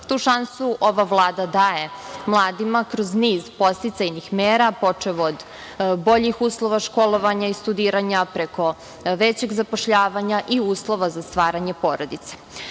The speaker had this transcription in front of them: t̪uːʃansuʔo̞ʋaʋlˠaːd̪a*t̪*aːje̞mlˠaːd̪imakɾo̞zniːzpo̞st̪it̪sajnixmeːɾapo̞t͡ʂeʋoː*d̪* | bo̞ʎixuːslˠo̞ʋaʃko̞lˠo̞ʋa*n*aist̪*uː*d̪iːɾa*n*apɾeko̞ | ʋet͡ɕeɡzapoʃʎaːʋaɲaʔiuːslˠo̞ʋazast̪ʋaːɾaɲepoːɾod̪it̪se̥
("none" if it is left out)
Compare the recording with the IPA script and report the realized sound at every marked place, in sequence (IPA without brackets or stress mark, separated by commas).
d̪, d̪, ɲ, u, ɲ